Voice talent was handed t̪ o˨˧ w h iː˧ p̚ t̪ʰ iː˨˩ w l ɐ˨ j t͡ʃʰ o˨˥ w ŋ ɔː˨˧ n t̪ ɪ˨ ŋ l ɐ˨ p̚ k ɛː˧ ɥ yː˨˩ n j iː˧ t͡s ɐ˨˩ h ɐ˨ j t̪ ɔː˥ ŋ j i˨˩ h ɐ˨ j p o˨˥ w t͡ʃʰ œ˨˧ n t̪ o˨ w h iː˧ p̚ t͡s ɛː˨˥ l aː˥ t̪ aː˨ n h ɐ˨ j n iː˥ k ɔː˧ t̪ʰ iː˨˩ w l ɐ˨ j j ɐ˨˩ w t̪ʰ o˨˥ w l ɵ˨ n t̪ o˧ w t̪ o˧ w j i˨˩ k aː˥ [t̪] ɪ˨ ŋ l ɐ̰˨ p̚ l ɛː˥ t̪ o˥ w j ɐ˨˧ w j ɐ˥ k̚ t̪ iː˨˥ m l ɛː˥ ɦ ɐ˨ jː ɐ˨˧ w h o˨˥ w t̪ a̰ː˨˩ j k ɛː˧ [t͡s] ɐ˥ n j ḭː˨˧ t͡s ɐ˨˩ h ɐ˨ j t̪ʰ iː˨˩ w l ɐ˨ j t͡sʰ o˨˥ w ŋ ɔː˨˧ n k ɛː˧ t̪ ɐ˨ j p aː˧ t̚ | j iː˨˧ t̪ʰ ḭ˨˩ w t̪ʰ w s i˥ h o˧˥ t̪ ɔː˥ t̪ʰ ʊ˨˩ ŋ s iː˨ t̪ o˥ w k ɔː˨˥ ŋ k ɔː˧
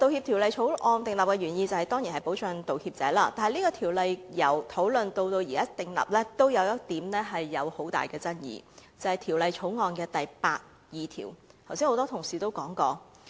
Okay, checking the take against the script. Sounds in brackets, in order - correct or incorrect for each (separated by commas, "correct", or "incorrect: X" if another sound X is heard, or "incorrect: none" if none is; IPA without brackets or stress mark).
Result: correct, correct